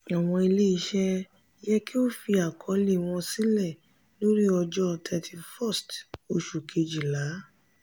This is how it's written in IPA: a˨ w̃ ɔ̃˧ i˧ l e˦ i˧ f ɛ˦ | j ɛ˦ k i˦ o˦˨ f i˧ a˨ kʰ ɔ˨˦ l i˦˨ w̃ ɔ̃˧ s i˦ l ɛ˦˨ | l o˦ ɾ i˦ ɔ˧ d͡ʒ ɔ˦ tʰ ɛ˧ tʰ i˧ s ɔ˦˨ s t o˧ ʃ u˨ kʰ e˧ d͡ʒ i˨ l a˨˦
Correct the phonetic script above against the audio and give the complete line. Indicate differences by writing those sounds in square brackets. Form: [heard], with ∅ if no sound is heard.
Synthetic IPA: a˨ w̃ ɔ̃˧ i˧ l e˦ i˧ [ʃ] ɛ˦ | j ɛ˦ k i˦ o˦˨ f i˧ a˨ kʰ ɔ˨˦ l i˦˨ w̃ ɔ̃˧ s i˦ l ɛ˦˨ | l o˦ ɾ i˦ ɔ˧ d͡ʒ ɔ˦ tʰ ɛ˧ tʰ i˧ [f] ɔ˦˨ s t o˧ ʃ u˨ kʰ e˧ d͡ʒ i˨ l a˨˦